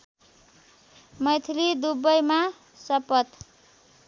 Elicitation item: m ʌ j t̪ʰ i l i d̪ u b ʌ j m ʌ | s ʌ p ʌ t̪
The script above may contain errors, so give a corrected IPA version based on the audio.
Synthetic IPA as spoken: m ʌ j t̪ʰ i l i d̪ u b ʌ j m a | s ʌ p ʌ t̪